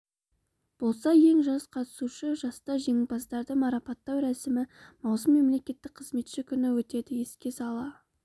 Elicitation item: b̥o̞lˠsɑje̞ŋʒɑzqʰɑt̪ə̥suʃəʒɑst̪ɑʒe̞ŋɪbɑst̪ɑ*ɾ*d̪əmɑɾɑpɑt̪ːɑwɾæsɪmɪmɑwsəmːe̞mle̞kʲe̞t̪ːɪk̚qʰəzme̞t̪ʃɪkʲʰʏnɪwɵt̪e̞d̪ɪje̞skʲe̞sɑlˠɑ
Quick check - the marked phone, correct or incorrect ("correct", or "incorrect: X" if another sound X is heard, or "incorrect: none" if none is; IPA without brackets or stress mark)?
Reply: correct